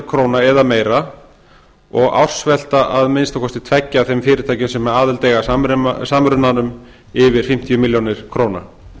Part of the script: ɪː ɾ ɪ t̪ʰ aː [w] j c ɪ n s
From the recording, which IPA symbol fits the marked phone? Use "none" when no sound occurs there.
none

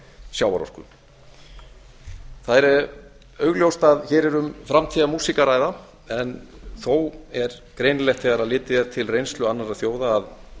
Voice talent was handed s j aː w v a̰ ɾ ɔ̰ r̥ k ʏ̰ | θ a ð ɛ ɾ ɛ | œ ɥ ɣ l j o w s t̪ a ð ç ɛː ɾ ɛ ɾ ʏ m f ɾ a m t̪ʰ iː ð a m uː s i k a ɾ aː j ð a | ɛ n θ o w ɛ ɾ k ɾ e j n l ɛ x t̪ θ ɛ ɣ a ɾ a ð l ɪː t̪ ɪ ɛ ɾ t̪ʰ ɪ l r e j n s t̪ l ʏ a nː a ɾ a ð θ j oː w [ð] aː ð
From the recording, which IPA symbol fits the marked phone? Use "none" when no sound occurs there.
ð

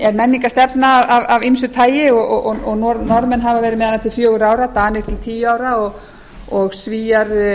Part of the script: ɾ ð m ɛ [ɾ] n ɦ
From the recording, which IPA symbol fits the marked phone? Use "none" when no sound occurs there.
none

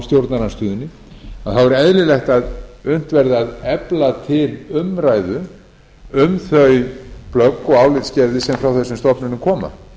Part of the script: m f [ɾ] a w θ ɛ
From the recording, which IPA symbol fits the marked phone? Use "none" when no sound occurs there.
ɾ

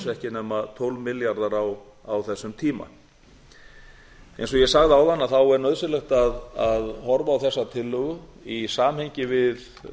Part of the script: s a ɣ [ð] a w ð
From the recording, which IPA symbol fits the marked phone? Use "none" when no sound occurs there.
ð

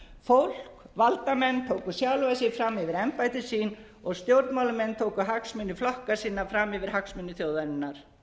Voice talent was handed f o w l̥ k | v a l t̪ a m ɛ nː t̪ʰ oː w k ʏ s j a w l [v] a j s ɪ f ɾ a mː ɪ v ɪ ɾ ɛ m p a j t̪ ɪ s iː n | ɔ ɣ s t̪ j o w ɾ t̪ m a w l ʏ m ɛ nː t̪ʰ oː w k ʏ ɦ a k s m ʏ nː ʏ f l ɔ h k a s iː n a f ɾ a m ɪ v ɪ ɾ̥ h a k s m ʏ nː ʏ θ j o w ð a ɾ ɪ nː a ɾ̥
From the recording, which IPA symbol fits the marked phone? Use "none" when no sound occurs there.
v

